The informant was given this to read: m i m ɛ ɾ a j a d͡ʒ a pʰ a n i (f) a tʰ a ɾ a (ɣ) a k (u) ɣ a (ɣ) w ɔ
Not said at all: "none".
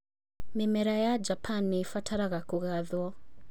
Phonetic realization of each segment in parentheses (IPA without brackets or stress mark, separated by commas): f, ɣ, u, ð